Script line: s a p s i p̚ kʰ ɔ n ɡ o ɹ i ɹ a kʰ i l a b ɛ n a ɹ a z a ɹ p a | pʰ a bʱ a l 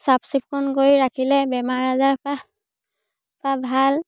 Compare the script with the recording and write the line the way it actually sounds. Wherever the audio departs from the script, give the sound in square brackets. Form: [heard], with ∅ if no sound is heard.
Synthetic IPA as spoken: s a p s i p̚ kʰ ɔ n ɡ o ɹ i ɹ a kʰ i l [ɛ] b ɛ [m] a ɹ a z a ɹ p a | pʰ a bʱ a l